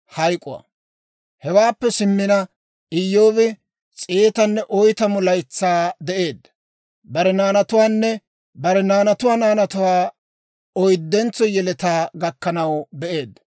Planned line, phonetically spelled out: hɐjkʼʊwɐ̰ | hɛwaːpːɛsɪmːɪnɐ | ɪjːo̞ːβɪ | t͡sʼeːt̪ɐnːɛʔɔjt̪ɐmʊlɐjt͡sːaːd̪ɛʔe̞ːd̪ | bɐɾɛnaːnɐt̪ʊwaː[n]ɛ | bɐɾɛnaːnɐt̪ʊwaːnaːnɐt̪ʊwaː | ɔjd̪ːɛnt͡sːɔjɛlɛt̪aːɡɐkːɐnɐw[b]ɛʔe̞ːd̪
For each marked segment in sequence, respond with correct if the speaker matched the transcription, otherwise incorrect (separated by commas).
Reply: incorrect, correct